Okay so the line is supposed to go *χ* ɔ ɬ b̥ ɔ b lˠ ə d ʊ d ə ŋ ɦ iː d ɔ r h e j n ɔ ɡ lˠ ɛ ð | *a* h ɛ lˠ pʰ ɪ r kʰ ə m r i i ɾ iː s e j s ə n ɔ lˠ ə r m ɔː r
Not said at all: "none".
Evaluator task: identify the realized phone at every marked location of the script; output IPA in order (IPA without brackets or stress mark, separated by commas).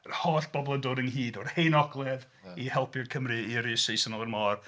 h, i